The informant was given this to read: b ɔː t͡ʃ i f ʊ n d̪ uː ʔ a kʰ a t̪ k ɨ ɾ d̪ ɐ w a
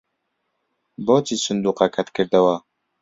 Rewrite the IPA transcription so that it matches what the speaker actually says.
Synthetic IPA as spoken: b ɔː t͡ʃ i s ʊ n d̪ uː q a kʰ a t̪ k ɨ ɾ d̪ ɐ w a